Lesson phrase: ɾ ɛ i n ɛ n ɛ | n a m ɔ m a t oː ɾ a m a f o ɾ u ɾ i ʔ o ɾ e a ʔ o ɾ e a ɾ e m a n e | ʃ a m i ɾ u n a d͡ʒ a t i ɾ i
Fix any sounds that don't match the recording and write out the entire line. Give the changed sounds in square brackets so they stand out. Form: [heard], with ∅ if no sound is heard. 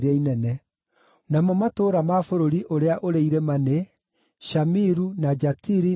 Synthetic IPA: ɾ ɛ i n ɛ n ɛ | n a m ɔ m a t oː ɾ a m a f o ɾ [o] ɾ i ʔ o ɾ e a ʔ o ɾ e [i] ɾ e m a n e | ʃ a m i ɾ u n a d͡ʒ a t i ɾ i